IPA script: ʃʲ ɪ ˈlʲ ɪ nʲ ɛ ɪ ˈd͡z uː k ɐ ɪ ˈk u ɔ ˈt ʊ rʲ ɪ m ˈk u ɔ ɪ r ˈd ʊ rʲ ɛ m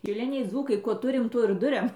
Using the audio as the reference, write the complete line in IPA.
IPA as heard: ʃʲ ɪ ˈlʲ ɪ nʲ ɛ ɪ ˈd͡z uː k ɐ ɪ ˈk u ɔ ˈt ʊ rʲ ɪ m ˈt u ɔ ɪ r ˈd ʊ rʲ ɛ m